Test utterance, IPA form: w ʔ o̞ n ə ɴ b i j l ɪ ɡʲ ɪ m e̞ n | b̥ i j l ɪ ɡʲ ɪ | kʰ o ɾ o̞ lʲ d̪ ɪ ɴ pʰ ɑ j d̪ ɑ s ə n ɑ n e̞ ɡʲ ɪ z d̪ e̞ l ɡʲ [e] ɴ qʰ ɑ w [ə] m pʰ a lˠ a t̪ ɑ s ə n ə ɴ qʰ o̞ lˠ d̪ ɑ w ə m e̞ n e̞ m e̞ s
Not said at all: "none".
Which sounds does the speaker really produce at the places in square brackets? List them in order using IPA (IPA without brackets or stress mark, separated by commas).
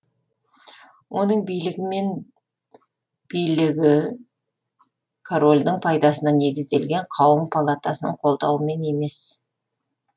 e, ə